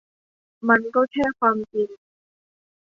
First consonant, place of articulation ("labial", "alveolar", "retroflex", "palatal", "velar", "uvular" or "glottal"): labial